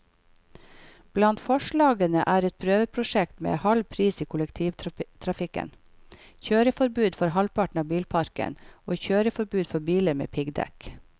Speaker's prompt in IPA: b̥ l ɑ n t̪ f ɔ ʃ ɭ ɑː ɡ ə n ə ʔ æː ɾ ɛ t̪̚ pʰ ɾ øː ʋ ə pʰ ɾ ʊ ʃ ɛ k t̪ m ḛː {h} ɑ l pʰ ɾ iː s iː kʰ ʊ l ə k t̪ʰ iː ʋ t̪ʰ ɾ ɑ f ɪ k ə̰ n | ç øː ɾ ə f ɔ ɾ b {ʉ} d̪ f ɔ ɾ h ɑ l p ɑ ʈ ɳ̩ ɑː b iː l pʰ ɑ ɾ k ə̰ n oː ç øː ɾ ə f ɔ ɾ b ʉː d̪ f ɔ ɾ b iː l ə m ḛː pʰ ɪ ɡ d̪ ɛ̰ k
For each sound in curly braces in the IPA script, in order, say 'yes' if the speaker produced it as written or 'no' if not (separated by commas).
yes, no